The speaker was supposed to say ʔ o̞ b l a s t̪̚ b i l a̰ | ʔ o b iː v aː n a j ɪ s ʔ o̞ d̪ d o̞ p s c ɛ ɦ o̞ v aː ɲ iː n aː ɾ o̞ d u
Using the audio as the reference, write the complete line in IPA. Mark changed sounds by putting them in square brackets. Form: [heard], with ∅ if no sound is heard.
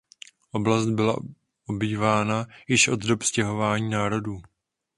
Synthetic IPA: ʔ o̞ b l a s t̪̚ b [ɪ] l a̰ | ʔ o b iː v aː n a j ɪ [ʃ] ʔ o̞ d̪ d o̞ p s c ɛ ɦ o̞ v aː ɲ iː n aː ɾ o̞ d [uː]